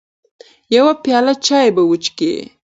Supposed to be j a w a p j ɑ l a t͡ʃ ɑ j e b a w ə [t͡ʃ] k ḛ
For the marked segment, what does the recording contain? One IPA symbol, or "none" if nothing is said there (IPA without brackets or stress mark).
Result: t͡ʃ